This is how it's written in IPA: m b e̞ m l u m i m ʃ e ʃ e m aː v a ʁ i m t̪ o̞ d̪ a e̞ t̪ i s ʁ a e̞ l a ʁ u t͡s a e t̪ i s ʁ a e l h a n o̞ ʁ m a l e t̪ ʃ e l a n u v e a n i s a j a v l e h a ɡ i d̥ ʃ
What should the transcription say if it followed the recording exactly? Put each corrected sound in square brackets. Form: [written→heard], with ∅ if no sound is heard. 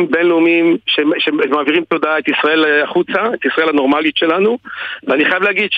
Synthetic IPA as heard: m b e̞ [m→n] l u m i m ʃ e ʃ e m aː v [a→i] ʁ i m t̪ o̞ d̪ a e̞ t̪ i s ʁ a e̞ l a [ʁ→χ] u t͡s a e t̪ i s ʁ a e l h a n o̞ ʁ m a l [e→i] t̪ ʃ e l a n u v e a n i [s→χ] a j a v l e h a ɡ i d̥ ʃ